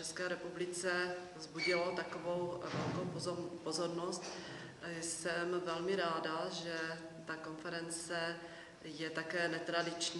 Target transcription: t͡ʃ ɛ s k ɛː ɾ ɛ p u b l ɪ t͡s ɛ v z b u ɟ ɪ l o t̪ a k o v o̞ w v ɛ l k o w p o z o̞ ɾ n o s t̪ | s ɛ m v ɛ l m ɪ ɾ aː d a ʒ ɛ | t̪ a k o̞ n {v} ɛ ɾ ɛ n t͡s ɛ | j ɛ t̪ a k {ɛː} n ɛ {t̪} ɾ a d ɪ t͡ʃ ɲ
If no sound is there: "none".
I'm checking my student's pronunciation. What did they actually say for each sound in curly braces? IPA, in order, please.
f, ɛː, t̪

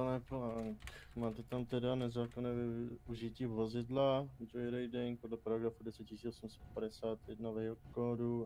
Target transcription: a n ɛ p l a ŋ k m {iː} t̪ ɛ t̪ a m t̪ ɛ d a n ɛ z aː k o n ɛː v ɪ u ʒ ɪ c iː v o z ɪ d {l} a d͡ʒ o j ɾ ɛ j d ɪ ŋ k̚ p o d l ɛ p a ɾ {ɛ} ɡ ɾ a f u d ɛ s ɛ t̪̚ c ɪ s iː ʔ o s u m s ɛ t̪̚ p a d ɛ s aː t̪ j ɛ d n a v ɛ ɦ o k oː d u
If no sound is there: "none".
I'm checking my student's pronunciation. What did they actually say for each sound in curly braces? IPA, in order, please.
aː, l, a

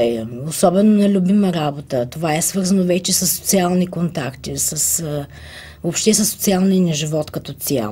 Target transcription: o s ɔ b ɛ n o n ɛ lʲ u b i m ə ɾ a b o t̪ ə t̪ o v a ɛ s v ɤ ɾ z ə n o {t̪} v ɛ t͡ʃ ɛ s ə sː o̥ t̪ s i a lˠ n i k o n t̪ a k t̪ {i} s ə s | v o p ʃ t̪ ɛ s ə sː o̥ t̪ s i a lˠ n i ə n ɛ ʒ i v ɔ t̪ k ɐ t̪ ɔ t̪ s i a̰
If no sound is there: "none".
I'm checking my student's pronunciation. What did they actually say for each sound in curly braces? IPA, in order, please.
none, i

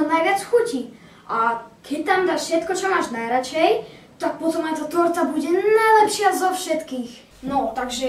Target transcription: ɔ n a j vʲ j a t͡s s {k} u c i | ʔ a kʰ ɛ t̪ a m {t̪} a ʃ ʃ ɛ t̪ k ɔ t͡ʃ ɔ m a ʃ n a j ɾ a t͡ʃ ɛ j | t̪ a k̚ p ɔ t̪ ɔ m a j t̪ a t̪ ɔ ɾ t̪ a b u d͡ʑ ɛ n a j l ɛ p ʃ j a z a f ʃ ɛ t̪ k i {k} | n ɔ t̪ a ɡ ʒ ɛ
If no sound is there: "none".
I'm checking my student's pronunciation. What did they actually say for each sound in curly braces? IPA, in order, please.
x, d̪, x

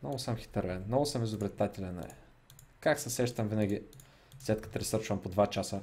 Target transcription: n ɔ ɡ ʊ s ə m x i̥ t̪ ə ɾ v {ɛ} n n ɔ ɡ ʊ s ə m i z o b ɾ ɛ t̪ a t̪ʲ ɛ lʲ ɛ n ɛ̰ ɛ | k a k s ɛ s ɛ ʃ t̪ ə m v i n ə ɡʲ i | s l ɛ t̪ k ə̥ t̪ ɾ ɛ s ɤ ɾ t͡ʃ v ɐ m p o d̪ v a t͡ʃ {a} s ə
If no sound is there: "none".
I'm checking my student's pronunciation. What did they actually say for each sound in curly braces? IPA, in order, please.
ɛ, a

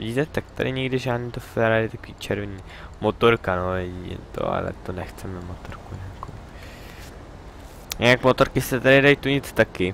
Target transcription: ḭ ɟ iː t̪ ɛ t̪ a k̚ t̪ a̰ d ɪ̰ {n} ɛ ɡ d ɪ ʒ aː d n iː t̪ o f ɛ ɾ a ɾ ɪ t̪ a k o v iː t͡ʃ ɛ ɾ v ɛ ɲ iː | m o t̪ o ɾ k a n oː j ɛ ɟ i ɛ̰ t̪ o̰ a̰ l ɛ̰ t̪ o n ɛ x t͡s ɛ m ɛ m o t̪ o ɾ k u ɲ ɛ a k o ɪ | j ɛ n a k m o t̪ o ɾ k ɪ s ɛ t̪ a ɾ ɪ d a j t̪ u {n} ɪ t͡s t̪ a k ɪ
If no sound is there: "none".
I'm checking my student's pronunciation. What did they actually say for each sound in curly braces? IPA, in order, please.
ɲ, ɲ

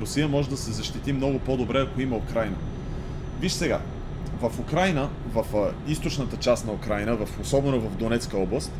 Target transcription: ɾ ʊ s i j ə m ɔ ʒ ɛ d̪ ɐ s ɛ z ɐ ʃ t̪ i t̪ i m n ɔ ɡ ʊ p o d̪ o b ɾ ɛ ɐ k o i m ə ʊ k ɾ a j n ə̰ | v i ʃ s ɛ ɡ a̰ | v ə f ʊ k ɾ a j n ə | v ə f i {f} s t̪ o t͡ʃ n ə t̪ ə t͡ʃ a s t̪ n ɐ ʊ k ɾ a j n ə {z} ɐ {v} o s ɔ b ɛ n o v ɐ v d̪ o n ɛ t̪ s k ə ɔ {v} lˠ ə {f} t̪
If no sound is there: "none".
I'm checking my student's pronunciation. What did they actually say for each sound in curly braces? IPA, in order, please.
none, v, f, b, s

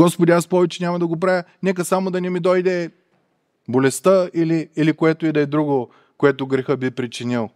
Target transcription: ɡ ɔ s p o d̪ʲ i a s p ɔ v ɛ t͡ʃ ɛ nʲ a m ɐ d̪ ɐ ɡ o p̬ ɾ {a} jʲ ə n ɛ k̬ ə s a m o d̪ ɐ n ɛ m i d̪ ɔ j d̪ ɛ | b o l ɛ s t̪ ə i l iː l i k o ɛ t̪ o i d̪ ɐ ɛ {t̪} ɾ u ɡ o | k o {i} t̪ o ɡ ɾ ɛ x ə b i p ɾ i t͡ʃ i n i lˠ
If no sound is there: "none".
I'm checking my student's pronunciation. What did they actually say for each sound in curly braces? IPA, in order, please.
a, d̪, ɛ

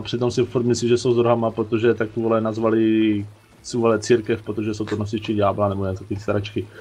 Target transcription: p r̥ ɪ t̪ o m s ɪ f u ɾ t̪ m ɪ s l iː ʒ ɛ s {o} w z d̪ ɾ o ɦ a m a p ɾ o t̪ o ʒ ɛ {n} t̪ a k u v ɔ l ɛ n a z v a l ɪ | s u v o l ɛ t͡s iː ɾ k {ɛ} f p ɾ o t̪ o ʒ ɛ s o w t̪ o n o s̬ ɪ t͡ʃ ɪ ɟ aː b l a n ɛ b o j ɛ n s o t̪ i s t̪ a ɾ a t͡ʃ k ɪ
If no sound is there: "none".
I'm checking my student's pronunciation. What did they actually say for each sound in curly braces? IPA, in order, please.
o, none, ɛ

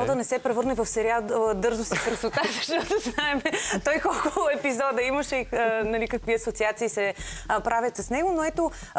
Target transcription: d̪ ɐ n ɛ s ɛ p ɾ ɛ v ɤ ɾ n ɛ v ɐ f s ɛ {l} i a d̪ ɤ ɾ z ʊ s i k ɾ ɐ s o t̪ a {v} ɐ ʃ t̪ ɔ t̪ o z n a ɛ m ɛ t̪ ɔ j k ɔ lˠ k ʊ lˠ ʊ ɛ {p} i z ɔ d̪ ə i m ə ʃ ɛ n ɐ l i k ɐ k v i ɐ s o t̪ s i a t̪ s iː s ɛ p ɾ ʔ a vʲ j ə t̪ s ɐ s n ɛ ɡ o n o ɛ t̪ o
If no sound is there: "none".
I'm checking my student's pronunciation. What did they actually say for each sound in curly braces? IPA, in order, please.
ɾ, z, p

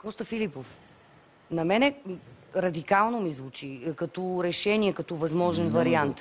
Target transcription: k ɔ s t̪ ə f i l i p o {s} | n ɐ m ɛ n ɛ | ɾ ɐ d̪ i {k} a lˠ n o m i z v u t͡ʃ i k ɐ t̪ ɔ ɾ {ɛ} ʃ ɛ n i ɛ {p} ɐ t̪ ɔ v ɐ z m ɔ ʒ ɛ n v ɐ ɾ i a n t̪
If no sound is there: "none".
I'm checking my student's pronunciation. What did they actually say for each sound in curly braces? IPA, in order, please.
f, k, ɛ, k

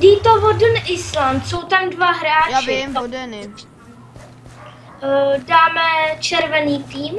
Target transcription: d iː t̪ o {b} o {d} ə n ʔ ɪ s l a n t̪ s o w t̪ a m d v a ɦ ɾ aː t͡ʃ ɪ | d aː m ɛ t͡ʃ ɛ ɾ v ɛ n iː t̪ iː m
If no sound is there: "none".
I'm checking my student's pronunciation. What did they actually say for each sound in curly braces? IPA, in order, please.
v, d

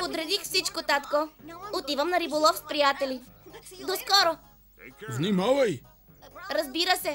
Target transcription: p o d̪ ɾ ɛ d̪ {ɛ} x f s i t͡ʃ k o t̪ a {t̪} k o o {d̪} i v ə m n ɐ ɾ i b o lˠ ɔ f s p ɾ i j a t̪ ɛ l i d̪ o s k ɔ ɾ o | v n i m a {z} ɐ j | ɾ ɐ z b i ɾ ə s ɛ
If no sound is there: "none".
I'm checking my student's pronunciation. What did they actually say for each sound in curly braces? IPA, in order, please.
i, t̪, t̪, v

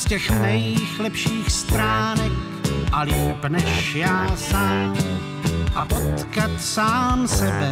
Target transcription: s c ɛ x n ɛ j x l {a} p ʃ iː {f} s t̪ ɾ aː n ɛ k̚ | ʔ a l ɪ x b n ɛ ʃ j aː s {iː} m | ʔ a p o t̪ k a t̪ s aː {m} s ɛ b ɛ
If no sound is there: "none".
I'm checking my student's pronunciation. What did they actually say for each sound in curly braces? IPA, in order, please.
ɛ, x, aː, m

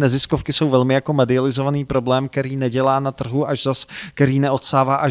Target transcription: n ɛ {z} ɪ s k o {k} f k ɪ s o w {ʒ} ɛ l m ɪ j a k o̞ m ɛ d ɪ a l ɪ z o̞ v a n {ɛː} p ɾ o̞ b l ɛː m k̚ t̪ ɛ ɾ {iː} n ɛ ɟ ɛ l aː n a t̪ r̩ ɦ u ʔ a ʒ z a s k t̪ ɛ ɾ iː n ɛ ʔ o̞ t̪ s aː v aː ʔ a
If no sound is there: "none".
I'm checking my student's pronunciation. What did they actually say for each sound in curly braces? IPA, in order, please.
z, none, v, iː, iː

